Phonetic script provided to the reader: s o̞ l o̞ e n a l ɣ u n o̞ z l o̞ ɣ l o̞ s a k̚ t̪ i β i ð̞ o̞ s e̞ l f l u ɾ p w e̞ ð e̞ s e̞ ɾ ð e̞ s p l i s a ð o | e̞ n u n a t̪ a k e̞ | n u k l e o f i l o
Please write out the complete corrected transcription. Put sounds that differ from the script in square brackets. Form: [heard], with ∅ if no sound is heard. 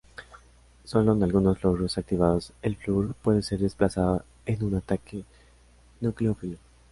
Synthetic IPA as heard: s o̞ l o̞ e n a l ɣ u n o̞ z l o̞ ɣ [ɾ] o̞ s a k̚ t̪ i β [a] ð̞ o̞ s e̞ l f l u ɾ p w e̞ ð e̞ s e̞ ɾ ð e̞ s p l [a] s a ð o | e̞ n u n a t̪ a k e̞ | n u k l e o f i l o